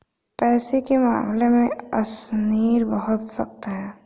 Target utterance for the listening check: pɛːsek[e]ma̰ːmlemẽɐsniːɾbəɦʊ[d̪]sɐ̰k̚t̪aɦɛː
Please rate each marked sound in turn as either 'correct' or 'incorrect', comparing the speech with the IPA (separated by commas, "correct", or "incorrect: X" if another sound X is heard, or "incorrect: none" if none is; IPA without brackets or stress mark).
correct, incorrect: t̪